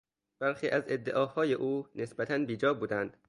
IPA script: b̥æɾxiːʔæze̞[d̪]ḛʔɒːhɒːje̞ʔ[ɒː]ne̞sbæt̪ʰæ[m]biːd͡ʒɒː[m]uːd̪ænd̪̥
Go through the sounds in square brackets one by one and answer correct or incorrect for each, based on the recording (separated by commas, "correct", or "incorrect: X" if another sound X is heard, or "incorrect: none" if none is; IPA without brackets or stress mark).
incorrect: d̪ː, incorrect: uː, incorrect: n, incorrect: b